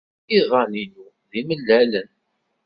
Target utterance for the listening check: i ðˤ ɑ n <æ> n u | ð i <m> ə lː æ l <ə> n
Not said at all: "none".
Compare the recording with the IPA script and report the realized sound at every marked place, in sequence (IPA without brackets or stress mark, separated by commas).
i, m, ə